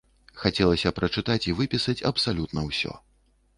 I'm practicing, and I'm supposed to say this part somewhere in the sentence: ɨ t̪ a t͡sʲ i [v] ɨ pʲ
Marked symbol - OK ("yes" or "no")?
yes